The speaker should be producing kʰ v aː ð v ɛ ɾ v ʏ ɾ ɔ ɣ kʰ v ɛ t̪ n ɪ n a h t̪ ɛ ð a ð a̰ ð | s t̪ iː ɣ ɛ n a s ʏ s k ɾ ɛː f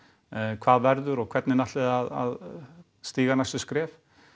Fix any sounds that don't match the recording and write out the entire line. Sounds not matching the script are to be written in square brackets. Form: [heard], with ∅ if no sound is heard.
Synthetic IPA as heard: kʰ v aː ð v ɛ ɾ [ð] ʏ ɾ ɔ ɣ kʰ v ɛ t̪ n ɪ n a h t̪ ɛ ð a ð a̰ ð | s t̪ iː ɣ [a] n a s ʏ s k ɾ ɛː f